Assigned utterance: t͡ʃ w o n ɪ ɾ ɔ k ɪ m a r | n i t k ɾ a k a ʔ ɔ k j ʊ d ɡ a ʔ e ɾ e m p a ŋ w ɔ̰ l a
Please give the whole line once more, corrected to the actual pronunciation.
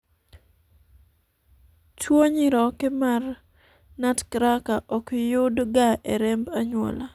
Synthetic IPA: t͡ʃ w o ɲ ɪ ɾ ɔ k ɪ m a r | n a t k ɾ a k a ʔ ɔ k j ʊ d ɡ a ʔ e ɾ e m b a ɲ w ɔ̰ l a